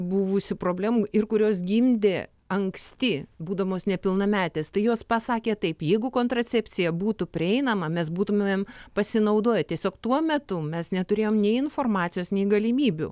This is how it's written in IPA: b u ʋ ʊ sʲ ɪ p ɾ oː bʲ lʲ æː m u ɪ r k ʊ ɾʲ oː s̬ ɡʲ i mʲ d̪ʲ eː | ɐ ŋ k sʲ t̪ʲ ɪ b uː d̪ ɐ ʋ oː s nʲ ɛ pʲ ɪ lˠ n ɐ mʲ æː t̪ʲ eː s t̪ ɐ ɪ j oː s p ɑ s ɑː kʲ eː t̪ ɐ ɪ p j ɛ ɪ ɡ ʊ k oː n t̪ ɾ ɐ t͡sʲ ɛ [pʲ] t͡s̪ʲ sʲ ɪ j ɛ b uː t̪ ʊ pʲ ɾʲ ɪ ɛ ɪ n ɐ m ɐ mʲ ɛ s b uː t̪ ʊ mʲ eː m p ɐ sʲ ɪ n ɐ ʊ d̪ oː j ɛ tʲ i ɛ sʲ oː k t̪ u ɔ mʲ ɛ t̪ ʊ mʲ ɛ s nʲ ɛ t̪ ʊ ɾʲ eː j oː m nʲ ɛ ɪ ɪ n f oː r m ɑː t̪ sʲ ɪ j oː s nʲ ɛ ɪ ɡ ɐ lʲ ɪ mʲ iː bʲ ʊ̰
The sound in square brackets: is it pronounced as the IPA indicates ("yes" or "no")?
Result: yes